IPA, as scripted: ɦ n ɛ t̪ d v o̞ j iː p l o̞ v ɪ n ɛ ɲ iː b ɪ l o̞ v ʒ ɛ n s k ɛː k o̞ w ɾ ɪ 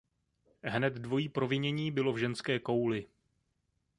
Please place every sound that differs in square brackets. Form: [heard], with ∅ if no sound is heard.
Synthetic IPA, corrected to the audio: ɦ n ɛ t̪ d v o̞ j iː p [ɾ] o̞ v ɪ [ɲ] ɛ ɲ iː b ɪ l o̞ v ʒ ɛ n s k ɛː k o̞ w [l] ɪ